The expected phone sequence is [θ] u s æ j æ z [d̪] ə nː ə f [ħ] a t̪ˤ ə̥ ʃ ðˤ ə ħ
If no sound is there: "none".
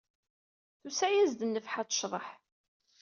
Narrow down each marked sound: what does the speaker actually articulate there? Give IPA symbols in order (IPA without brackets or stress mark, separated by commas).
θ, d̪, ħ